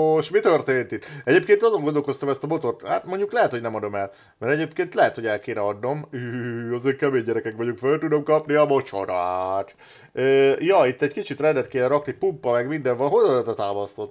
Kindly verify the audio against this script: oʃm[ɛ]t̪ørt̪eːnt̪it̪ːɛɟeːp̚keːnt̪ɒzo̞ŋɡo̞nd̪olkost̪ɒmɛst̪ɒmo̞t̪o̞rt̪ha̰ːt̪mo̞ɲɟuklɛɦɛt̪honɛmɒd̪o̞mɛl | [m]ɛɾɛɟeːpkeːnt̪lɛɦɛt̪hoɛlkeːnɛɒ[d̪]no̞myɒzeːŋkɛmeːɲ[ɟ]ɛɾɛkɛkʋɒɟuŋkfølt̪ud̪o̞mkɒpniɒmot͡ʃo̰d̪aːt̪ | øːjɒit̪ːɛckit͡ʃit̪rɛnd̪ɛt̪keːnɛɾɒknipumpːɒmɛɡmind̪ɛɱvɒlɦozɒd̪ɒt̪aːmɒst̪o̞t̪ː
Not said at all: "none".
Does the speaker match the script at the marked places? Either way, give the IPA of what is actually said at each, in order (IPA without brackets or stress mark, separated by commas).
i, m, d̪, ɟ